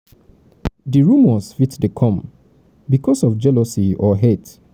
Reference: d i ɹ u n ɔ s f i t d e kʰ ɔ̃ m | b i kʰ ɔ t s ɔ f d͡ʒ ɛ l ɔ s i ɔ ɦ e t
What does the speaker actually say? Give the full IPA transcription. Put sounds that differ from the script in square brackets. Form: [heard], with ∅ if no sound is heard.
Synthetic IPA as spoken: d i ɹ u [m] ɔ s f i t d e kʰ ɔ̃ m | b i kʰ ɔ [∅] s ɔ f d͡ʒ ɛ l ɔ s i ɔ ɦ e t